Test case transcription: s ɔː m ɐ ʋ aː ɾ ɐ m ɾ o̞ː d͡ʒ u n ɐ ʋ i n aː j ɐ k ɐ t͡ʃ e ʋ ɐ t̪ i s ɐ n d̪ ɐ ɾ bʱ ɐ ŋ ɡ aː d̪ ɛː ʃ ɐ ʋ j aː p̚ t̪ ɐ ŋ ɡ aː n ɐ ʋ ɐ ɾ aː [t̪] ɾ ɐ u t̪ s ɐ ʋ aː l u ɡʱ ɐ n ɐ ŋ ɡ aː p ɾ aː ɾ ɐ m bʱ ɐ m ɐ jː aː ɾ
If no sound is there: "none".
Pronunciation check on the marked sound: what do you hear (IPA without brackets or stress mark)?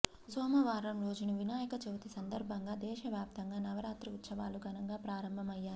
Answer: t̪